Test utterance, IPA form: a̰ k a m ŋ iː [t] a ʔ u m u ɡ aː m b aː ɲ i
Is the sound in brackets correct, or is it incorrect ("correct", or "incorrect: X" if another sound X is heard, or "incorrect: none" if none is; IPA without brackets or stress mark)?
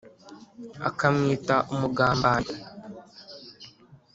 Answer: correct